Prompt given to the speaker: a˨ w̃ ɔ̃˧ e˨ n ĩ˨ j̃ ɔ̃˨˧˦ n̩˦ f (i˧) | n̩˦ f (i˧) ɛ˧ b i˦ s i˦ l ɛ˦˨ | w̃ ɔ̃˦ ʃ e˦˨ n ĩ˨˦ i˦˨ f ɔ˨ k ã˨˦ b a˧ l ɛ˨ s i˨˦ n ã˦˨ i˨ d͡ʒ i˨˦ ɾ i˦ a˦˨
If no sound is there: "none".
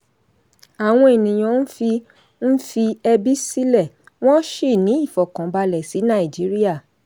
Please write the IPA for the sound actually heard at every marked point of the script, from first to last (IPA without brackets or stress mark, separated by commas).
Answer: i˧, i˧